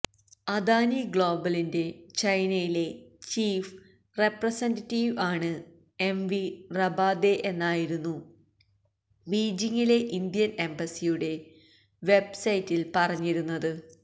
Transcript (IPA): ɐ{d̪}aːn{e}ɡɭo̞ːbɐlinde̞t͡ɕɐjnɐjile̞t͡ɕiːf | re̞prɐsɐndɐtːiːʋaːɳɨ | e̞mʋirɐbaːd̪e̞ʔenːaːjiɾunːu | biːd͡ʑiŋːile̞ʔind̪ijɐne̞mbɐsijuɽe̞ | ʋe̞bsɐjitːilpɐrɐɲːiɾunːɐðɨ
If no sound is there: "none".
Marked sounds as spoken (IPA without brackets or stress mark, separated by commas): d̪, i